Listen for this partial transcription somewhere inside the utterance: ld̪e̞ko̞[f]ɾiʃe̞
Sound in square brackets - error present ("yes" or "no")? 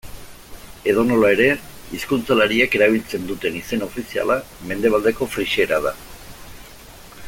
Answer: no